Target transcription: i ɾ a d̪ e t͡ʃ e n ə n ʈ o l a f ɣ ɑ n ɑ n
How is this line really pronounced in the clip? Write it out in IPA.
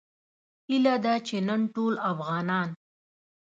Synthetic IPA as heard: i l a d̪ a t͡ʃ e n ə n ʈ o l a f ɣ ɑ n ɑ n